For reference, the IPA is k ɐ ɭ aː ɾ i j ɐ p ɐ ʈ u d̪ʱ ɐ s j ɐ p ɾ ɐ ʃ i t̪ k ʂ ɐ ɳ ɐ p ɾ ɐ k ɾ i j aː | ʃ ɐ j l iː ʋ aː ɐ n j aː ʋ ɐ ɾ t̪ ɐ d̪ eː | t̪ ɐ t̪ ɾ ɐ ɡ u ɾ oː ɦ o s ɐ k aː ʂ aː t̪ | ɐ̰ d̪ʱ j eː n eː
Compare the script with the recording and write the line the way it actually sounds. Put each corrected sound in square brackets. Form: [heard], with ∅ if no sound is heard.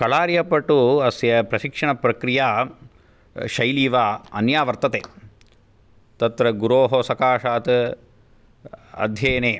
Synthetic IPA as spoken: k ɐ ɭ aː ɾ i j ɐ p ɐ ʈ u [∅] ɐ s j ɐ p ɾ ɐ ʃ i [∅] k ʂ ɐ ɳ ɐ p ɾ ɐ k ɾ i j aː | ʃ ɐ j l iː ʋ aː ɐ n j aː ʋ ɐ ɾ t̪ ɐ [t̪] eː | t̪ ɐ t̪ ɾ ɐ ɡ u ɾ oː ɦ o s ɐ k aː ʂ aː t̪ | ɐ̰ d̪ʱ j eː n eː